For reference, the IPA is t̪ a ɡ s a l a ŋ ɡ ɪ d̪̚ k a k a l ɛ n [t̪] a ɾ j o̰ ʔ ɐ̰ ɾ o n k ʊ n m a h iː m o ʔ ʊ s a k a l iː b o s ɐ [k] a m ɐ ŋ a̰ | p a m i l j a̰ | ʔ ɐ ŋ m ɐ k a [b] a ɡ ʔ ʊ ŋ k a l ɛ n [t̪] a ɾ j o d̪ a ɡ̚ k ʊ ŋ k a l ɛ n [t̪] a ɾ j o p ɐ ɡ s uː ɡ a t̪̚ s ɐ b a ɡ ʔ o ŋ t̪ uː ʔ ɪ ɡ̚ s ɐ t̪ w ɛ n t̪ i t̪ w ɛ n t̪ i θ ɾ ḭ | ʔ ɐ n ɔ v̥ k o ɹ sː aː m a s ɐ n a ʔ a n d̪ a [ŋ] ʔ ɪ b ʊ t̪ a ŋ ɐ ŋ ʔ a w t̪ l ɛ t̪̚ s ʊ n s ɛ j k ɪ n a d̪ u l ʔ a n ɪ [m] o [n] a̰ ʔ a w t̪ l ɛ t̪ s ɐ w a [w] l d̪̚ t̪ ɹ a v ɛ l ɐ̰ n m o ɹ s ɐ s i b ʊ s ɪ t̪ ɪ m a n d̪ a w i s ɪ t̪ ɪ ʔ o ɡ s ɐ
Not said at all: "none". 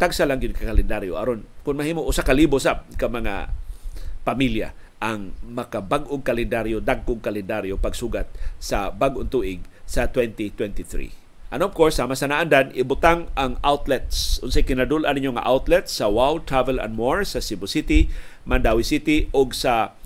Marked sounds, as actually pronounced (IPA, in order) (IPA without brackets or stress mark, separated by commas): d̪, k, b, d̪, d̪, n, ɲ, ŋ, w